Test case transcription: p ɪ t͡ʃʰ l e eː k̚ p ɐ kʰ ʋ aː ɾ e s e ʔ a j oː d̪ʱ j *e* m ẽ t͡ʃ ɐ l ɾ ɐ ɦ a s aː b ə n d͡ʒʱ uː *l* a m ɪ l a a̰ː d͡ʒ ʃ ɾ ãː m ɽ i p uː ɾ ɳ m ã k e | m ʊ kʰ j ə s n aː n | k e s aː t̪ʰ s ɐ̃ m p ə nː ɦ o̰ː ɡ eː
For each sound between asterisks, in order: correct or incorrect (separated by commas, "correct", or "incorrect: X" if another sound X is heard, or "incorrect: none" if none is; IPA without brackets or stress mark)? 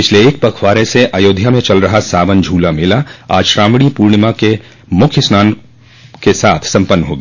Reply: incorrect: a, correct